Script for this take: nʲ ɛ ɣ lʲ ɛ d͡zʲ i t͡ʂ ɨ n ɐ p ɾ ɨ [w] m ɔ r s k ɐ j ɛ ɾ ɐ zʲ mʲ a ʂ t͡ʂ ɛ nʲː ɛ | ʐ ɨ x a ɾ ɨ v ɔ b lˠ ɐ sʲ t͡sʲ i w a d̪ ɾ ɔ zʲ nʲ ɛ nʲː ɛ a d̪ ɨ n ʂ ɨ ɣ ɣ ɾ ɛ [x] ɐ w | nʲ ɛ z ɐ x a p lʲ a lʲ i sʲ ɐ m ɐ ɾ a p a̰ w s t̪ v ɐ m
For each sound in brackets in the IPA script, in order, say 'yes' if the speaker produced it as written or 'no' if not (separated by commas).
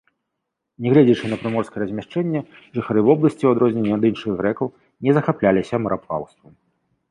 no, no